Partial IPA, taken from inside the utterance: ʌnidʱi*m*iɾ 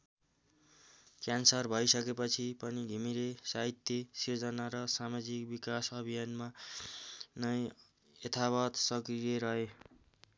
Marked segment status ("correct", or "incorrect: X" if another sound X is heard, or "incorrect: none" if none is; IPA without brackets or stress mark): correct